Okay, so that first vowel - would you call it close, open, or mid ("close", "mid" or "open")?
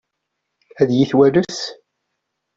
open